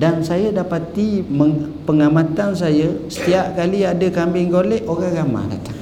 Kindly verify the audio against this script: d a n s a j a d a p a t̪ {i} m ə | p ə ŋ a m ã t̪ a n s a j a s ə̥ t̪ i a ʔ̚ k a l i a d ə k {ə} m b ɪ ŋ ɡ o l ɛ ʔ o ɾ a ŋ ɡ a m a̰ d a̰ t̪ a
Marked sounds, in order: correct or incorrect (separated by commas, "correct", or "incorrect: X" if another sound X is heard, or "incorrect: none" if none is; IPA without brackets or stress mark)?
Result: correct, incorrect: a